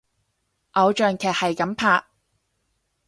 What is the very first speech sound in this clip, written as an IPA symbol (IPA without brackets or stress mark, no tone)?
ʔ